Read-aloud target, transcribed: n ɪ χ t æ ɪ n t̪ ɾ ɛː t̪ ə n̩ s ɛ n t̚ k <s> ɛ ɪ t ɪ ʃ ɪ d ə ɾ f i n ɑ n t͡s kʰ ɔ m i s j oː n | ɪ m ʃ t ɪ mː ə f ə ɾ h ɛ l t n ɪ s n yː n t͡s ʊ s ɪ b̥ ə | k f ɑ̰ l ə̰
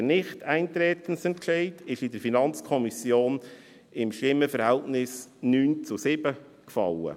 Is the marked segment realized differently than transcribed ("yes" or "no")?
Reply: yes